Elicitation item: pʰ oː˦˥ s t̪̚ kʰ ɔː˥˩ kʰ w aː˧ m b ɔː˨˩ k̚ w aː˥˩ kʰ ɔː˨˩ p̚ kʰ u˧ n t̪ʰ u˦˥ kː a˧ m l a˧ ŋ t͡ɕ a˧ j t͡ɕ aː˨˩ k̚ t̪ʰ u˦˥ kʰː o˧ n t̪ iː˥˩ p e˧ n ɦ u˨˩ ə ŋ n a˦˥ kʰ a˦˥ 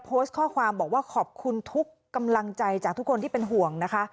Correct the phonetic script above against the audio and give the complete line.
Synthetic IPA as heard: pʰ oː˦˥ s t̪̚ kʰ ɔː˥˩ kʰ w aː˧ m b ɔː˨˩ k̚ w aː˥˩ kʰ ɔː˨˩ p̚ kʰ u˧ n t̪ʰ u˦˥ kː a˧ m l a˧ ŋ t͡ɕ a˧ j t͡ɕ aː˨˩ k̚ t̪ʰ u˦˥ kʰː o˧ n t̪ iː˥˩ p e˧ n ɦ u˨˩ ə ŋ n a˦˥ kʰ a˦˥